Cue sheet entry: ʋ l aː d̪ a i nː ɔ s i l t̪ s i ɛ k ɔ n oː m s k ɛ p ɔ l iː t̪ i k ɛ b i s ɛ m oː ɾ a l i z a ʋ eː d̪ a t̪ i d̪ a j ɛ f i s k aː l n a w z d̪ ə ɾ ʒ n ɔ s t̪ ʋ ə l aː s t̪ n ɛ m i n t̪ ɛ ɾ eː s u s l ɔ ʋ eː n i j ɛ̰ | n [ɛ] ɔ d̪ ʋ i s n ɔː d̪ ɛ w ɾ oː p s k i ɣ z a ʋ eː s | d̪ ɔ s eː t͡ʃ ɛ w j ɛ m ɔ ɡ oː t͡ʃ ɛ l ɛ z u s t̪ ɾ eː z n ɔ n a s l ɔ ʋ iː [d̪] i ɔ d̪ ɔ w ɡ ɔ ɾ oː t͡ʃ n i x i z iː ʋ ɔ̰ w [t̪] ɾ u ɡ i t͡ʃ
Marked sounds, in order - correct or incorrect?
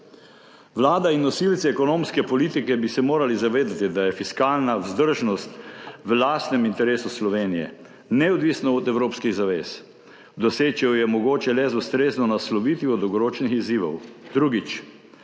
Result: correct, incorrect: t̪, incorrect: d̪

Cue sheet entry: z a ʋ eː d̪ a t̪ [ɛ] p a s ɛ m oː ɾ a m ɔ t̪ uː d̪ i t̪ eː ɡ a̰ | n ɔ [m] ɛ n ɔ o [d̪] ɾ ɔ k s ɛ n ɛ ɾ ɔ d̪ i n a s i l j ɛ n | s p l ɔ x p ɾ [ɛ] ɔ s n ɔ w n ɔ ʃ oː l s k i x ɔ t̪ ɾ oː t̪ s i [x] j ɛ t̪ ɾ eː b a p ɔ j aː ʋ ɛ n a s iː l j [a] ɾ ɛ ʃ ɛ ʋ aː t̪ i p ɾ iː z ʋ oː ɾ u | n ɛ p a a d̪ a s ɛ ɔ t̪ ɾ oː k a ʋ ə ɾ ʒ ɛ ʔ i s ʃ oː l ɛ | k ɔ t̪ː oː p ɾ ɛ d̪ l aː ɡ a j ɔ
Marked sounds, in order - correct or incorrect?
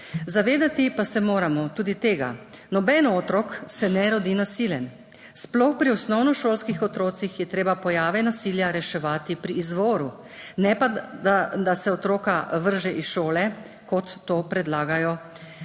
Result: incorrect: i, incorrect: b, incorrect: t̪, incorrect: i, correct, correct

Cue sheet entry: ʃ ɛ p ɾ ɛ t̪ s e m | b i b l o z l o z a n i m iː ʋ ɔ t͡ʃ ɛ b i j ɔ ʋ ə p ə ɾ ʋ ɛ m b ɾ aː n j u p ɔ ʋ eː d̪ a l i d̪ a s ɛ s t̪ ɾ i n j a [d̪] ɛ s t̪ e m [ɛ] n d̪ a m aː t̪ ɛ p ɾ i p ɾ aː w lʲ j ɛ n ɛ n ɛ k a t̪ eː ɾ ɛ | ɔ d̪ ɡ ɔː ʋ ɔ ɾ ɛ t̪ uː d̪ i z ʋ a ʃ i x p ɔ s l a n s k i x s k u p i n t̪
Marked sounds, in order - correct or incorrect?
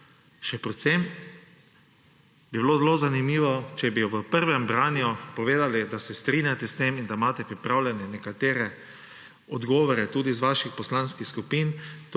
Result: incorrect: t̪, incorrect: i

